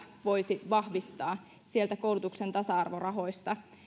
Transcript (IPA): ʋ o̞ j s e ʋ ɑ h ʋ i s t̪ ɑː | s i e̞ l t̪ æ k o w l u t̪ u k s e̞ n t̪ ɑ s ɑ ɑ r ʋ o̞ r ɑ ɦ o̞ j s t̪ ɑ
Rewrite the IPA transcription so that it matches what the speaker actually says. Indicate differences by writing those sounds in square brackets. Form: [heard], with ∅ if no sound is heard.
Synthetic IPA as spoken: ʋ o̞ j s [i] ʋ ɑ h ʋ i s t̪ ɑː | s i e̞ l t̪ æ k o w l u t̪ u k s e̞ n t̪ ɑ s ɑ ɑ r ʋ o̞ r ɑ ɦ o̞ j s t̪ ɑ

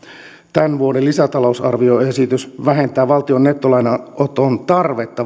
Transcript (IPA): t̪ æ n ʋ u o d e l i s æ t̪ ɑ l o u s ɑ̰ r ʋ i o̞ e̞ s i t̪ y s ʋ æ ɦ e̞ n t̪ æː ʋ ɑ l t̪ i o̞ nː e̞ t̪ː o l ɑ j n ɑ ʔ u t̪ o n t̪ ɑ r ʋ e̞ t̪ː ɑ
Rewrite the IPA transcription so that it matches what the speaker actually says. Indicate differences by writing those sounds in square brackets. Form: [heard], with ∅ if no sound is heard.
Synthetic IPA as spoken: t̪ æ n ʋ u o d e l i s æ t̪ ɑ l o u s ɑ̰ r ʋ i o̞ e̞ s i t̪ y s ʋ æ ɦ e̞ n t̪ æː ʋ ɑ l t̪ i o̞ nː e̞ t̪ː o l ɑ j n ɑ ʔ [o] t̪ o n t̪ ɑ r ʋ e̞ t̪ː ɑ

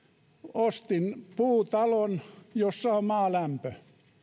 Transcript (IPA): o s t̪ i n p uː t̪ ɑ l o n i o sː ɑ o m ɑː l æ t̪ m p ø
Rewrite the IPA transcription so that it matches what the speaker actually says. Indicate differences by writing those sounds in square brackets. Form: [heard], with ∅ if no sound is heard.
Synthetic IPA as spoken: o s t̪ i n p uː t̪ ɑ l o n [j] o sː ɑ o m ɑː l æ [∅] m p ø

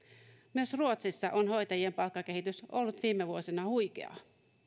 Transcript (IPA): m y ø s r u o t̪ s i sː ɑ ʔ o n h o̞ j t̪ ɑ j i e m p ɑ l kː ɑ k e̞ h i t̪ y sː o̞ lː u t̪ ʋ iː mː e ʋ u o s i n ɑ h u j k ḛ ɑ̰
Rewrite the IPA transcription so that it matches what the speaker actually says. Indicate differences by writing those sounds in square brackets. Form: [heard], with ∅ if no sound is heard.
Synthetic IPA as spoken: m y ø s r u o t̪ s i sː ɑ ʔ o n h o̞ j t̪ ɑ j i e m p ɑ l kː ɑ k e̞ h i t̪ y [s] o̞ lː u t̪ ʋ iː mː e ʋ u o s i n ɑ h u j k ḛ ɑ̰

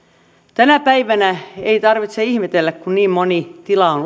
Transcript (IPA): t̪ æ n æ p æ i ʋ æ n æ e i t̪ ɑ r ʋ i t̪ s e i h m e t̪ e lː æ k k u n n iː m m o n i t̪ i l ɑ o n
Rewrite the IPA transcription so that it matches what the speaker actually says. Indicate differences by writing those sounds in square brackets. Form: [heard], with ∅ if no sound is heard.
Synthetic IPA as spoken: t̪ æ n æ p æ i ʋ æ n æ e i t̪ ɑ r ʋ i t̪ s e i h m e t̪ e lː æ k k u n n iː m m o n i t̪ i l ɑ o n

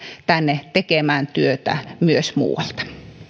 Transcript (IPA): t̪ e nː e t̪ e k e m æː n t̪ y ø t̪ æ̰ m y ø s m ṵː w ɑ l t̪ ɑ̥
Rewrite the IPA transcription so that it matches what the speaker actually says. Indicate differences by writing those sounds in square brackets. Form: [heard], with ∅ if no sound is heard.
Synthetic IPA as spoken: t̪ [æ] nː e t̪ e k e m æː n t̪ y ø t̪ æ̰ m y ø s m ṵː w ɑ l t̪ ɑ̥

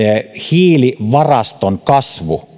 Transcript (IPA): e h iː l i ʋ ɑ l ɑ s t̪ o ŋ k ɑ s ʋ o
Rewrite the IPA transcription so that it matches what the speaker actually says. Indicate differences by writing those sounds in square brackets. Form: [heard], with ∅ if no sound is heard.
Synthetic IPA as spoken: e h iː l i ʋ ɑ [r] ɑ s t̪ o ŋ k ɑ s ʋ [u]

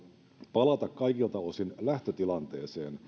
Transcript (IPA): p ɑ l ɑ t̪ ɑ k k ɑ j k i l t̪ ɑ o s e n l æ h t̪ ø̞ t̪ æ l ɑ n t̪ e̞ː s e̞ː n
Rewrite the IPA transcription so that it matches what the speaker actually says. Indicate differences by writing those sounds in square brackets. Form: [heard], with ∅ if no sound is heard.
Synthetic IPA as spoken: p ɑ l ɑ t̪ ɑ k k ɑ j k i l t̪ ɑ o s [i] n l æ h t̪ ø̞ t̪ [i] l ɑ n t̪ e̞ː s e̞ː n

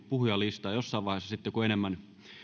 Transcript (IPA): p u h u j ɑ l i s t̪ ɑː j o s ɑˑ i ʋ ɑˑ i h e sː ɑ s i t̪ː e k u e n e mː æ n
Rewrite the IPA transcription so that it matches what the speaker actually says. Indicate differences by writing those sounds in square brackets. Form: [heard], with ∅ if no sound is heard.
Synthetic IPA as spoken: p u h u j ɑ l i s t̪ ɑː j o [sː] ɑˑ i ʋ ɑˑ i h e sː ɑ s i t̪ː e k u e n e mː æ n

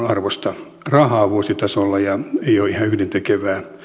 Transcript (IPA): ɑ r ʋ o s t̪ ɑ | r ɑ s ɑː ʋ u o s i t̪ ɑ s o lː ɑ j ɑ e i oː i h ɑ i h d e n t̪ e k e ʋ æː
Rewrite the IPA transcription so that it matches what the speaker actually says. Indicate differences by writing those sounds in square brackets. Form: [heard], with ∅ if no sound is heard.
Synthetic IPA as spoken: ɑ r ʋ o s t̪ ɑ | r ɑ [h] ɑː ʋ u o s i t̪ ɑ s o lː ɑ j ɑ e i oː i h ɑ [y] h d e n t̪ e k e ʋ æː

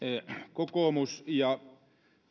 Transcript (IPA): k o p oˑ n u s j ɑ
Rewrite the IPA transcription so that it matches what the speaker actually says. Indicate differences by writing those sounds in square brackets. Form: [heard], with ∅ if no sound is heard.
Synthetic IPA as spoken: k o [k] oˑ [m] u s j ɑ

